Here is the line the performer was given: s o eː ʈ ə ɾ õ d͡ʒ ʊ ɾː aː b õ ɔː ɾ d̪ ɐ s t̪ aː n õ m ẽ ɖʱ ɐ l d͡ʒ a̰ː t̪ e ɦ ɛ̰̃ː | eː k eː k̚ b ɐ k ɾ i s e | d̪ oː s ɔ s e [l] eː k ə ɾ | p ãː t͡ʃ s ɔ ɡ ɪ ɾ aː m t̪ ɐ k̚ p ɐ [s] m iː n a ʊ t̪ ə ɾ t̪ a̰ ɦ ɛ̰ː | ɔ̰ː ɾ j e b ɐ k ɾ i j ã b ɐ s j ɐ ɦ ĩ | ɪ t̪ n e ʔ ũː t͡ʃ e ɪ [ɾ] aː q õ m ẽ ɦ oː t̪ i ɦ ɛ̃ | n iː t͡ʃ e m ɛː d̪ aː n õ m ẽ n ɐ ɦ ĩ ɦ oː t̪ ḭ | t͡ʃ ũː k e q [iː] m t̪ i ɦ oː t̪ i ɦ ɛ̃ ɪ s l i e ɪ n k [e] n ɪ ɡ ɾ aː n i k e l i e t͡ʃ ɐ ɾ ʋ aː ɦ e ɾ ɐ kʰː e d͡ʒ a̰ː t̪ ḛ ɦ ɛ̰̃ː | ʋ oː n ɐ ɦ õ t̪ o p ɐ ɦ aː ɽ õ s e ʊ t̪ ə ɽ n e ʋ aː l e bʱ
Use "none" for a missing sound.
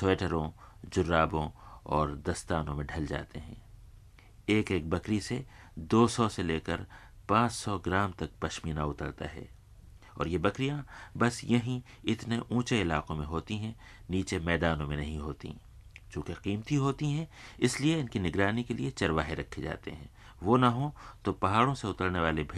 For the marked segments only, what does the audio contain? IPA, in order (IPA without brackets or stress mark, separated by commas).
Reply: l, ʃ, l, iː, i